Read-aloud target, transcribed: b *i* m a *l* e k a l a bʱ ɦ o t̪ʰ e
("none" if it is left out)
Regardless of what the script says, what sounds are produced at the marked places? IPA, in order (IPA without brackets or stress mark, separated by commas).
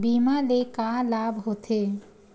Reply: i, l